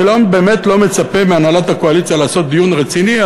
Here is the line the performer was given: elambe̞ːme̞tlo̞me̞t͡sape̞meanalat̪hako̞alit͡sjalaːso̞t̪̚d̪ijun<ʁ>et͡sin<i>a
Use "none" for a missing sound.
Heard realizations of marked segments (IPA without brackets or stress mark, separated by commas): ʁ, i